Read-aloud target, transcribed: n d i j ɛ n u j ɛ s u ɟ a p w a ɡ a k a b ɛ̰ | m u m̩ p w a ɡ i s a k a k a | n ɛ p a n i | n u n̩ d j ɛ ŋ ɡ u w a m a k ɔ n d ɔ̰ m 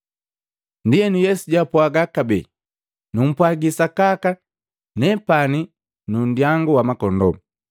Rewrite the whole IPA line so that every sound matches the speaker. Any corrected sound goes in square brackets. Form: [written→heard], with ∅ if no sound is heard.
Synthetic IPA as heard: n d i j ɛ n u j ɛ s u ɟ a p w a ɡ a k a b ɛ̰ | [m→n] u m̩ p w a ɡ i s a k a k a | n ɛ p a n i | n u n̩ d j [ɛ→a] ŋ ɡ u w a m a k ɔ n d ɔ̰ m

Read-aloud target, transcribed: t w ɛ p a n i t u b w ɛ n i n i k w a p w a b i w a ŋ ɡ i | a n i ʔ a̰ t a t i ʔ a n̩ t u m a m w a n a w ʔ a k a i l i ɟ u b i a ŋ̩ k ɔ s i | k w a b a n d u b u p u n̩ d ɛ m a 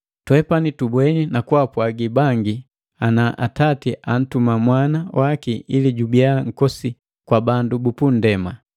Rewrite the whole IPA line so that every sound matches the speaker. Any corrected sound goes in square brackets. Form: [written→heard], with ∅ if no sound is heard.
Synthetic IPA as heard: t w ɛ p a n i t u b w ɛ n i n [i→a] k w a p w a [b→ɡ] i [w→b] a ŋ ɡ i | a n [i→a] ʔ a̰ t a t i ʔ a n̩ t u m a m w a n a w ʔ a k [a→i] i l i ɟ u b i a ŋ̩ k ɔ s i | k w a b a n d u b u p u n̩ d ɛ m a

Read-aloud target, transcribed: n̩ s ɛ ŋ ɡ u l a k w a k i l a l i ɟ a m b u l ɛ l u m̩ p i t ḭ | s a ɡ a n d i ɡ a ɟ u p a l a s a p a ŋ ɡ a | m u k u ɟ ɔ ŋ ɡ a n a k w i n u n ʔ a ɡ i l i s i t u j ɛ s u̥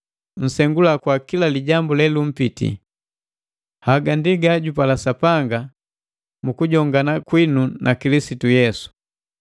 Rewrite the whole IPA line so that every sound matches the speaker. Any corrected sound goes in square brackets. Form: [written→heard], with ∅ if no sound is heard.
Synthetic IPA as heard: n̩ s ɛ ŋ ɡ u l a k w a k i l a l i ɟ a m b u l ɛ l u m̩ p i t ḭ | [s→h] a ɡ a n d i ɡ a ɟ u p a l a s a p a ŋ ɡ a | m u k u ɟ ɔ ŋ ɡ a n a k w i n u n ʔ a [ɡ→k] i l i s i t u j ɛ s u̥

